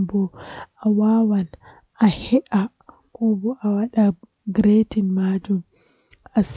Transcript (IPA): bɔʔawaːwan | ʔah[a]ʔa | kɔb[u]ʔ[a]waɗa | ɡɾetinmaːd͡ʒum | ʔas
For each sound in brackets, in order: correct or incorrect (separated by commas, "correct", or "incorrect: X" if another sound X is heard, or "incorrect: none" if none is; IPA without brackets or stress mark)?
incorrect: ɛ, incorrect: ɔ, correct